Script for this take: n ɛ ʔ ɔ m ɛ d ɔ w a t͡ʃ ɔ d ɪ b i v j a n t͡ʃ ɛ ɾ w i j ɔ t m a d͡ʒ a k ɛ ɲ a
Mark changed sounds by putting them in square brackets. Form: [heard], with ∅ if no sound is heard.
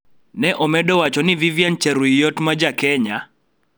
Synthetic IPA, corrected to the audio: n ɛ ʔ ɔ m ɛ d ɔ w a t͡ʃ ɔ [n] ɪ [v] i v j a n t͡ʃ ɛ ɾ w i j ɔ t m a d͡ʒ a k ɛ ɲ a